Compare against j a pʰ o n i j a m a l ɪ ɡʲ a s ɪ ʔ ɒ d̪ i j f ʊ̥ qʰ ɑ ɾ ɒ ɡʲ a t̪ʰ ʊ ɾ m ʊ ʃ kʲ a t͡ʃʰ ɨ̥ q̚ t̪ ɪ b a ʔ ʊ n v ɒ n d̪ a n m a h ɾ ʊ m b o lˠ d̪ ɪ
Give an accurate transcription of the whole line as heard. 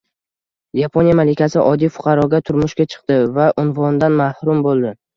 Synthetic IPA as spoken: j a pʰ o n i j a m a l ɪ kʲ a s ɪ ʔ ɒ d̪ i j f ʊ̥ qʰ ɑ ɾ ɒ ɡʲ a t̪ʰ ʊ ɾ m ʊ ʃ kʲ a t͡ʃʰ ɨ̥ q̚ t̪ ɪ v a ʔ ʊ n v ɒ n d̪ a n m a h ɾ ʊ m b o lˠ d̪ ɪ